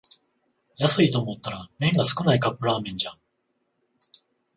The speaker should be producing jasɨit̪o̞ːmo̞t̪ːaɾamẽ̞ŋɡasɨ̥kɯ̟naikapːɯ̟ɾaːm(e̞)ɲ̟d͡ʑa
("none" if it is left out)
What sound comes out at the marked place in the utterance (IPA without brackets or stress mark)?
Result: ẽ̞